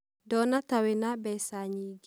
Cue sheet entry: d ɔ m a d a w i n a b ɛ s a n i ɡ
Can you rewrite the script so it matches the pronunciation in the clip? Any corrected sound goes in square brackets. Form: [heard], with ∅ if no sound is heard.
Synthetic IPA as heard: d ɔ [n] a [t] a w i n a b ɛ s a [ɲ] i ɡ